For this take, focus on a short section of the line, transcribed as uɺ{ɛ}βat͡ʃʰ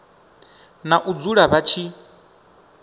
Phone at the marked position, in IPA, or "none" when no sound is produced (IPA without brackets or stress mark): a